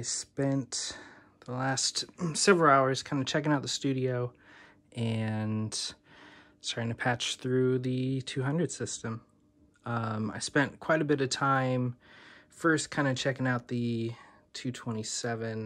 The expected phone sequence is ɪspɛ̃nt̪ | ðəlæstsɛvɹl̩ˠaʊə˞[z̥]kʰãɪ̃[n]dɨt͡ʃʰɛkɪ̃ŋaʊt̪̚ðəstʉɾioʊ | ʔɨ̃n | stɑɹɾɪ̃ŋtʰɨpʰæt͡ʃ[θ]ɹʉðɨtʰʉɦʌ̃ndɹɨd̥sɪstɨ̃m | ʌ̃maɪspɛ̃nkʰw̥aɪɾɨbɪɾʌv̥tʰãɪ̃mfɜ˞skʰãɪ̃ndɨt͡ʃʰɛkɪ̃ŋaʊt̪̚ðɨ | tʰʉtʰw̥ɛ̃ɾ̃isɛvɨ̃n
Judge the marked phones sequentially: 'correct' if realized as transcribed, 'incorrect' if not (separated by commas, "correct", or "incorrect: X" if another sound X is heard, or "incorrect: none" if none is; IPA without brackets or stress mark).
correct, correct, correct